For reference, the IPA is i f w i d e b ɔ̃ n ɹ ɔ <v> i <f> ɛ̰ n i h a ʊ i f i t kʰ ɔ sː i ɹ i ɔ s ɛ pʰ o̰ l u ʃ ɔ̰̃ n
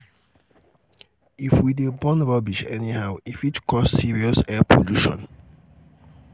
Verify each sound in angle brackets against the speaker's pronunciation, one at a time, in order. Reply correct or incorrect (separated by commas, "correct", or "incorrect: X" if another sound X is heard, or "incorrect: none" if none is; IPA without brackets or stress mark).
incorrect: b, incorrect: ʃ